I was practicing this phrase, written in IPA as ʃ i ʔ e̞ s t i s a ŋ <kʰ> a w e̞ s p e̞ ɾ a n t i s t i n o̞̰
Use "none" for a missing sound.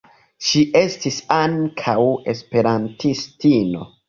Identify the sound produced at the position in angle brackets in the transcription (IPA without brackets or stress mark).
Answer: kʰ